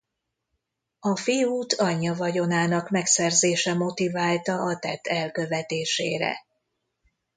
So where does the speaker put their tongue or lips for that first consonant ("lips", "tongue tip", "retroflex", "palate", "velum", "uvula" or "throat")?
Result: lips